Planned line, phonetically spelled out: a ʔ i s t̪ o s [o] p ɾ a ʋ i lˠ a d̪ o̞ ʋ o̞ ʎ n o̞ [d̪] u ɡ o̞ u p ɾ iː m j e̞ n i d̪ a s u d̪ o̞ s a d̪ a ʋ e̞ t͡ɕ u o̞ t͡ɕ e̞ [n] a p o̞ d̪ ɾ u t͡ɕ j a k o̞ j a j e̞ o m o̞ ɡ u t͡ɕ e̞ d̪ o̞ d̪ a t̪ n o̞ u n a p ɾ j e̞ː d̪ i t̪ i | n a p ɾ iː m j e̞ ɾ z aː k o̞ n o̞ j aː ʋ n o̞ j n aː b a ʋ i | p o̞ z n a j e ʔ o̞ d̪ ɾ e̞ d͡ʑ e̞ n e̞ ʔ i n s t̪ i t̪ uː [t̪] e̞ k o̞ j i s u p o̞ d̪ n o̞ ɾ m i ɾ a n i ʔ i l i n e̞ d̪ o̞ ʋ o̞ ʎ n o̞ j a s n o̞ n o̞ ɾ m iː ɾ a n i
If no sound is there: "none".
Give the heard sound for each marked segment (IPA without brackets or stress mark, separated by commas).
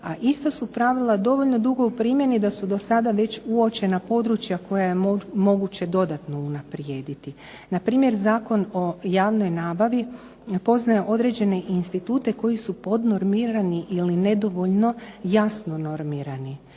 u, d̪, n, t̪